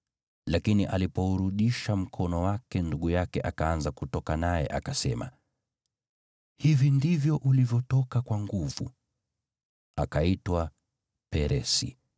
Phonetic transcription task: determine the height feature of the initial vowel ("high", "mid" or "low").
low